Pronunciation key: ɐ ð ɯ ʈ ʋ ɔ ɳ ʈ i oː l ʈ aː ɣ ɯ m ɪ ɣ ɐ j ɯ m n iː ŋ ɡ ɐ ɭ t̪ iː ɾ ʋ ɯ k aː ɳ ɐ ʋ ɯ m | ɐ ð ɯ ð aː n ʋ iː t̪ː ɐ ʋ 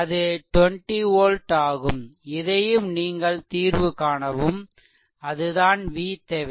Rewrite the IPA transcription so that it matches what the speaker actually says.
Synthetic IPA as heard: ɐ ð ɯ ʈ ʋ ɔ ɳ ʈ i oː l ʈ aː ɣ ɯ m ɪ ð ɐ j ɯ m n iː ŋ ɡ ɐ ɭ t̪ iː ɾ ʋ ɯ k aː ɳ ɐ ʋ ɯ m | ɐ ð ɯ ð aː n ʋ iː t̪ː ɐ ʋ